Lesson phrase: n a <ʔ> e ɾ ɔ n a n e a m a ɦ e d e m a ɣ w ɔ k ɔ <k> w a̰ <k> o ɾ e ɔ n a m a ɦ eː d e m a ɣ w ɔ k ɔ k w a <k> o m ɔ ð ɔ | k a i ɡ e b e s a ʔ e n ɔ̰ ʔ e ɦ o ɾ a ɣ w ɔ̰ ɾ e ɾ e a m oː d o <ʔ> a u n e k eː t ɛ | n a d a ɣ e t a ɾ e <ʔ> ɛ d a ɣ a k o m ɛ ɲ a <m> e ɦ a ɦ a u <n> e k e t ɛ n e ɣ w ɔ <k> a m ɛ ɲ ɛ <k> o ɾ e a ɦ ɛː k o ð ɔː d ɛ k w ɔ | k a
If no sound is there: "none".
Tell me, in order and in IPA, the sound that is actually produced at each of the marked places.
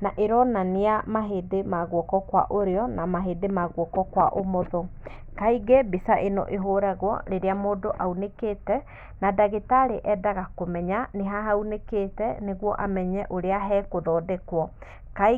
ʔ, k, ʔ, ʔ, ʔ, ʔ, n, n, ʔ, ʔ

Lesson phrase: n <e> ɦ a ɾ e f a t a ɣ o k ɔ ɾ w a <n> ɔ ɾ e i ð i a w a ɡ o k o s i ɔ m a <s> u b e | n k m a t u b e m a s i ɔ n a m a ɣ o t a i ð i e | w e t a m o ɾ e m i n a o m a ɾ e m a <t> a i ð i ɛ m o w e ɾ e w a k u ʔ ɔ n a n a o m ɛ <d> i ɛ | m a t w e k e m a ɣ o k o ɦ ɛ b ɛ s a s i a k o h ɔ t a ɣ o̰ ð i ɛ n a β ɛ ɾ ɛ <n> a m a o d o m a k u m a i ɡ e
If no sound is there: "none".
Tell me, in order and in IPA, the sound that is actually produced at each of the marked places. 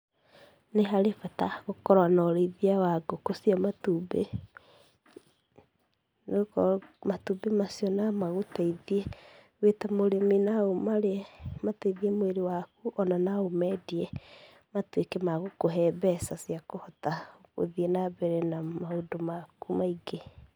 e, n, t, t, d, n

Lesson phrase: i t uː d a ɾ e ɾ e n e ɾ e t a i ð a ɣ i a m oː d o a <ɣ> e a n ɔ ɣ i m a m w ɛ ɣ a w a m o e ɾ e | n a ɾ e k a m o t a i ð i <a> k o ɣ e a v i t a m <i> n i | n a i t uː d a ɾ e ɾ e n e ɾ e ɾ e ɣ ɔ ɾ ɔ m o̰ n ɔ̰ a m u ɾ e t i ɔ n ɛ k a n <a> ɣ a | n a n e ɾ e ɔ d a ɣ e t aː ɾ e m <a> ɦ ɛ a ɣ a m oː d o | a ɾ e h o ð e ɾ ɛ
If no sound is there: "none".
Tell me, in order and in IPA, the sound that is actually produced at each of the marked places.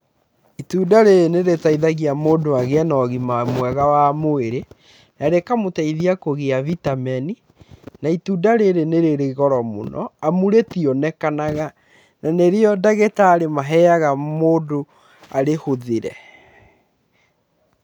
ɣ, a, ɛ, a, a

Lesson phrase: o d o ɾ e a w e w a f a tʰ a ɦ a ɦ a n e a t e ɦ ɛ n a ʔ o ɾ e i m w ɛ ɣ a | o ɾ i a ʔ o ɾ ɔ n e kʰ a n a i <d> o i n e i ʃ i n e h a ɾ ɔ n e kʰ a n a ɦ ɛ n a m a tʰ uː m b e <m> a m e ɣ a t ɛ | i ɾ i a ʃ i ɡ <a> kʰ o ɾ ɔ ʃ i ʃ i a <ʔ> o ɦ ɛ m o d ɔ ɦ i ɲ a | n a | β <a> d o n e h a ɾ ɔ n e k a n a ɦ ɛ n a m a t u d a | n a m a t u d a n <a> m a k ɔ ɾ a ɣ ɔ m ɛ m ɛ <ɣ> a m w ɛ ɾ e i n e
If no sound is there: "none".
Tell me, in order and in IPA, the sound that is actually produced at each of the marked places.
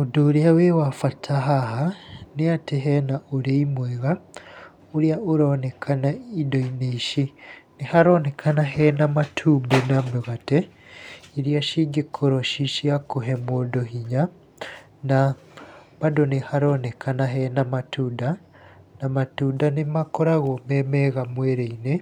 d, n, e, k, a, e, ɣ

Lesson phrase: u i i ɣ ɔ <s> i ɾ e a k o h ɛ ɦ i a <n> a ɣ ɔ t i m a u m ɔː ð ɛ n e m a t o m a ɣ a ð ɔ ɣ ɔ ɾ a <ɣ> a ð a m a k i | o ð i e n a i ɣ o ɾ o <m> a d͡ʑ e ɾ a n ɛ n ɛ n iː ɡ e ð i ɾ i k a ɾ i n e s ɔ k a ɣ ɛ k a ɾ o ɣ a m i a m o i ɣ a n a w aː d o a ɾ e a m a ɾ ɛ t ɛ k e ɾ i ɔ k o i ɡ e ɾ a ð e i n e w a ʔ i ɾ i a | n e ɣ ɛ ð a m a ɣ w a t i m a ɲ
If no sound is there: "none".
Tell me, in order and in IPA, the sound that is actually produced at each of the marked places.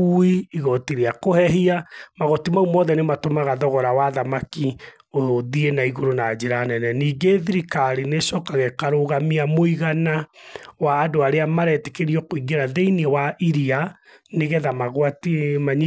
t, m, w, n

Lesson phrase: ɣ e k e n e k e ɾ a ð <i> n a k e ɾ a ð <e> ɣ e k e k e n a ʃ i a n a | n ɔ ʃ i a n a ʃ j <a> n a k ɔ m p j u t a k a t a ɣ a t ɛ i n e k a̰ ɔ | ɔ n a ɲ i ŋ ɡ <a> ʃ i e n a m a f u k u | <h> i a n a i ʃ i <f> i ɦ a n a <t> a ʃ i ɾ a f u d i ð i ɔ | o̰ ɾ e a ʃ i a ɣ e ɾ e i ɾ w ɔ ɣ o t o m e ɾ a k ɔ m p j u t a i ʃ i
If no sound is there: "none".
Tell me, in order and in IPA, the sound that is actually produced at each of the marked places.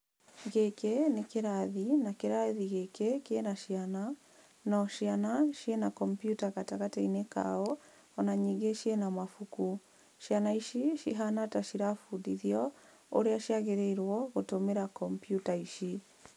i, i, e, e, ʃ, ʃ, t

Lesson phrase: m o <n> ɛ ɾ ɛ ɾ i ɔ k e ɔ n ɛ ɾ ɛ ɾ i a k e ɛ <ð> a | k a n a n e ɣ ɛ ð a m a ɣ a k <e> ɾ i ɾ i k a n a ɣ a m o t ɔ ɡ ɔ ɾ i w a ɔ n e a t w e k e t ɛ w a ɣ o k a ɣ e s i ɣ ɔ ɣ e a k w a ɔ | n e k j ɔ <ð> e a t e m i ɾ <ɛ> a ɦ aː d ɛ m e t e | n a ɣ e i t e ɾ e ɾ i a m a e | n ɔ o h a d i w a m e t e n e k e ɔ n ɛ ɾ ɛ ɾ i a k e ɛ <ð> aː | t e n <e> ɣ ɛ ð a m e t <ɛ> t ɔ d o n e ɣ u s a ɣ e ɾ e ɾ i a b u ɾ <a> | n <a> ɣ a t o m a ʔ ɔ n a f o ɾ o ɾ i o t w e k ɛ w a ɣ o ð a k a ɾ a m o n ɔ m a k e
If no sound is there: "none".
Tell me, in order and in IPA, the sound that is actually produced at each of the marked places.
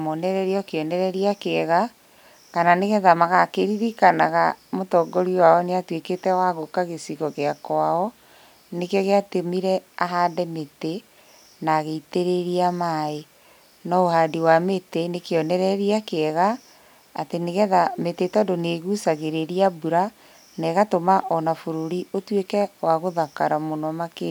n, ɣ, e, ɣ, ɛ, ɣ, e, e, a, ɛ

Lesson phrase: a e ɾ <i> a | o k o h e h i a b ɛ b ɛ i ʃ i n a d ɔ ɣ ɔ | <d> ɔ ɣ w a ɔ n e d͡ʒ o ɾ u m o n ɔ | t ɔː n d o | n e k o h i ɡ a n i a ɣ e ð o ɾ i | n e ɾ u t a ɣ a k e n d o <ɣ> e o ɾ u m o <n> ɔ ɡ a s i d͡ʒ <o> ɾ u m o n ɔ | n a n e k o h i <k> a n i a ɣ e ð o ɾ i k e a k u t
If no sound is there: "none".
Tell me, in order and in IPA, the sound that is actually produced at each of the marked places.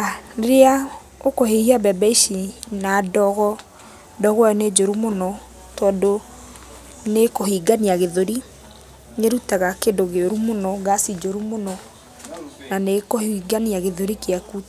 e, d, ɣ, n, o, ɡ

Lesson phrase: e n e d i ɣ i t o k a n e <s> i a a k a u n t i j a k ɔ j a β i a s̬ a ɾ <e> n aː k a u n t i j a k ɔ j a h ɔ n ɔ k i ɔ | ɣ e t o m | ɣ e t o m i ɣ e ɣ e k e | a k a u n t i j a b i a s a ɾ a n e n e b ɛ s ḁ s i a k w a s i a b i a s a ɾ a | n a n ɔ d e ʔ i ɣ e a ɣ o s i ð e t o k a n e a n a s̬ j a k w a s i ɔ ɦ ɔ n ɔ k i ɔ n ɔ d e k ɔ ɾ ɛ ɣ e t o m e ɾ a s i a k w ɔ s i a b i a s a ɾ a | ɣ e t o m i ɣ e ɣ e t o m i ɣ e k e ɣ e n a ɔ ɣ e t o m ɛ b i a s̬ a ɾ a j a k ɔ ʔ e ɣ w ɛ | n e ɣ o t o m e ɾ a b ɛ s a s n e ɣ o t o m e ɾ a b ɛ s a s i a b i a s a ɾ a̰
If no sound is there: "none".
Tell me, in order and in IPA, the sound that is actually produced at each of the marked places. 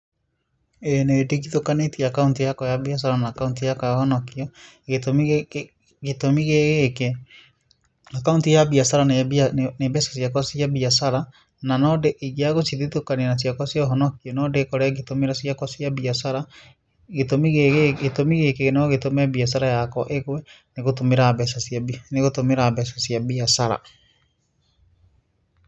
t, a

